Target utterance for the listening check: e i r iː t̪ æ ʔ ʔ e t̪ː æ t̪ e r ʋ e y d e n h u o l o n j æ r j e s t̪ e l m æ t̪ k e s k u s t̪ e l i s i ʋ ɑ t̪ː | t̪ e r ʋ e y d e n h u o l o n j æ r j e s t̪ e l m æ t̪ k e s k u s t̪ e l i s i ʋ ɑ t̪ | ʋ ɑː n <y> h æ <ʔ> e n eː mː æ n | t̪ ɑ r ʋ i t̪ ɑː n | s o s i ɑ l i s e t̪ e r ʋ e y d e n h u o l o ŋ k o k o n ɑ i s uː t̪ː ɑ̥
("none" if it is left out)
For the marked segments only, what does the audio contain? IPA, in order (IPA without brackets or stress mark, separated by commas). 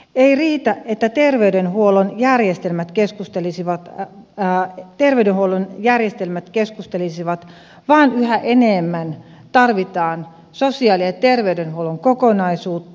y, ʔ